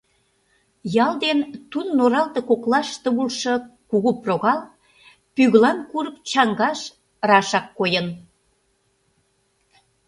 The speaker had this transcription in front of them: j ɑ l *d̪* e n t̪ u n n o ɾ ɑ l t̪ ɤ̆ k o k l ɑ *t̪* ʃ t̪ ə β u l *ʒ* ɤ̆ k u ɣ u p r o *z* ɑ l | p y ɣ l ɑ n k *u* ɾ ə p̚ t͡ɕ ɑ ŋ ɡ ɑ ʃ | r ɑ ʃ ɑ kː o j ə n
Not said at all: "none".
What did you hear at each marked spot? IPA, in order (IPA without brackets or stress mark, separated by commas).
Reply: d̪, none, ʃ, ɣ, u